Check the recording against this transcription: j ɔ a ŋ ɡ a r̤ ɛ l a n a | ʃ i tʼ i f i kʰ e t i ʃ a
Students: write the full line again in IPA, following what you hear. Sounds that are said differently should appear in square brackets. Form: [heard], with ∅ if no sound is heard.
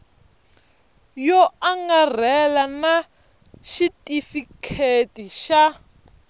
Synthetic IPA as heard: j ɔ a ŋ ɡ a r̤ ɛ l a n a | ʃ i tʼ i f i kʰ e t i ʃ a